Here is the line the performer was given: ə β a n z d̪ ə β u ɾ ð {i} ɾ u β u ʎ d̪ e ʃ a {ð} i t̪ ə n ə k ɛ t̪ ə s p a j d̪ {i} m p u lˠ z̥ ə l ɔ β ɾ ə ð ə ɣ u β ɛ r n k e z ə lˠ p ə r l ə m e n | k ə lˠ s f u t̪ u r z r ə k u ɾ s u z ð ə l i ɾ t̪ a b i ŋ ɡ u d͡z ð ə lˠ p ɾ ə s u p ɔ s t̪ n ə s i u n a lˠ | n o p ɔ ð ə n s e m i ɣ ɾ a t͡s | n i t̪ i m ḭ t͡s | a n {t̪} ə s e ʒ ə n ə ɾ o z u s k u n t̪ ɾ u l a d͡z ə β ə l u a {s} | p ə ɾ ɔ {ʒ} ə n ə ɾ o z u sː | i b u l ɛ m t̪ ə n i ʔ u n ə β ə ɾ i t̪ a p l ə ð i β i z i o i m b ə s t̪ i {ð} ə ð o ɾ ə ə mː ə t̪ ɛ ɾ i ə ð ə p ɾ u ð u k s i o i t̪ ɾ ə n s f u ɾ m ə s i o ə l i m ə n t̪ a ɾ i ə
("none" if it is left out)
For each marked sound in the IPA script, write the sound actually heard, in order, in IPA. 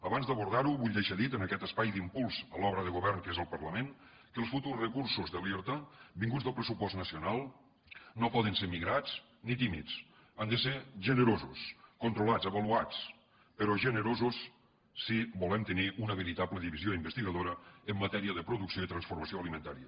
a, ð, i, d̪, t͡s, ʒ, ɣ

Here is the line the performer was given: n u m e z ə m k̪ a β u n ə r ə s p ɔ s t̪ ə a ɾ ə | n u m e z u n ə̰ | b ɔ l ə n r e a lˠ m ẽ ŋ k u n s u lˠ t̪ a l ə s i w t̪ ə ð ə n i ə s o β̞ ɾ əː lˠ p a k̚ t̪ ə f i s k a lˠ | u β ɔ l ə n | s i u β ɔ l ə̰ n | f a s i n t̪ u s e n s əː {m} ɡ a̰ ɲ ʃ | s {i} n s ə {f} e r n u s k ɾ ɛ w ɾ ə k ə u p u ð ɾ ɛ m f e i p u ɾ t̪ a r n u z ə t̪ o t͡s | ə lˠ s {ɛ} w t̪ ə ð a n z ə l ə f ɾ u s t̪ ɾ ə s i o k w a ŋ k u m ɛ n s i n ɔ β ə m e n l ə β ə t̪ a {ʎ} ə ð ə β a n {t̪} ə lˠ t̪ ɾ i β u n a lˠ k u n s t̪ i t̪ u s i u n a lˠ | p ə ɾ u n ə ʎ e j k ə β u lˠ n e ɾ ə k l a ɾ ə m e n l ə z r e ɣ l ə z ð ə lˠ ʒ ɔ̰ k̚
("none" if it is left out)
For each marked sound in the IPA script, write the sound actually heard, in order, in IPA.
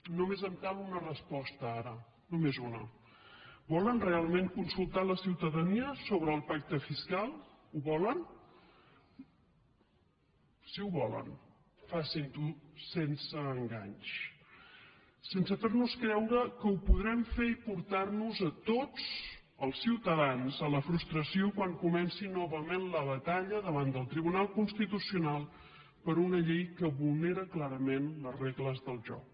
ŋ, e, f, i, ʎ, d̪

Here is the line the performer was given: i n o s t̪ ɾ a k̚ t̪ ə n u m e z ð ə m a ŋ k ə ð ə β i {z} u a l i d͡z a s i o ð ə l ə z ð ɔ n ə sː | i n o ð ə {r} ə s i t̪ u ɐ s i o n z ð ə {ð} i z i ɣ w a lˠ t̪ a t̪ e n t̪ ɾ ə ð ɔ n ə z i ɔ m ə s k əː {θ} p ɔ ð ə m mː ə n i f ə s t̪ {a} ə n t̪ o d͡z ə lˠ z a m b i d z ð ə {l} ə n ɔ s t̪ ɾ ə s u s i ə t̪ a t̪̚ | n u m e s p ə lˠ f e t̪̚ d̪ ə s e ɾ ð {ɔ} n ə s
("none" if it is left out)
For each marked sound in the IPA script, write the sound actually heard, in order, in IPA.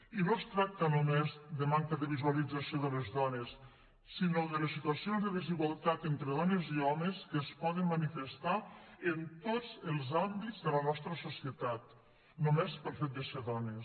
z, l, ð, s, a, l, ɔ

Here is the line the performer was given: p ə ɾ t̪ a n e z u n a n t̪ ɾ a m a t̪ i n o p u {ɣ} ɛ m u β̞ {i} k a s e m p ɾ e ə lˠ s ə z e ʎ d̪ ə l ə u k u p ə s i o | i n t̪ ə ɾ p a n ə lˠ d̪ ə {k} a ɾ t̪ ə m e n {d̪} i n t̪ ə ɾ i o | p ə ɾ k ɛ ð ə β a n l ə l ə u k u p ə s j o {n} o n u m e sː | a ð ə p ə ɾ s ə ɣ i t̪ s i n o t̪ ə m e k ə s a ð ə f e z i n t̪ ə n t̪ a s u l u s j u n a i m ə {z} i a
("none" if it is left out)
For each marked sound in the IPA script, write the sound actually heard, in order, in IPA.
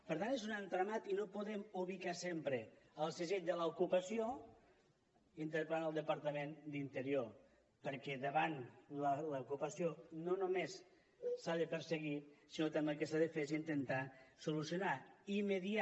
ð, i, p, d̪, n, ð

